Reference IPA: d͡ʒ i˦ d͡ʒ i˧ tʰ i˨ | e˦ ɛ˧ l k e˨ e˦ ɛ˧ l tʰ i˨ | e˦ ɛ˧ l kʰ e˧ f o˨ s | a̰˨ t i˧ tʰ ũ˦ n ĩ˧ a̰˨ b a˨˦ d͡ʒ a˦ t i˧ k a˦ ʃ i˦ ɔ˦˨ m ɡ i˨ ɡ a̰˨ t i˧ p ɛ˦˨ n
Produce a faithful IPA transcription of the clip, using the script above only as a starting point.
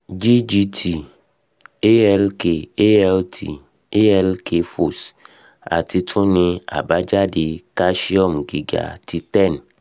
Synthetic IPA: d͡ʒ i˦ d͡ʒ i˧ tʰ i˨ | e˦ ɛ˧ l k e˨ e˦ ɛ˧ l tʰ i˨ | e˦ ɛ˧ l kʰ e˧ f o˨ s | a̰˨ t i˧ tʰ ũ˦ n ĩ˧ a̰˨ b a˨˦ d͡ʒ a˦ d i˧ k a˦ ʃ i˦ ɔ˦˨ m ɡ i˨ ɡ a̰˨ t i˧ t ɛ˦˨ n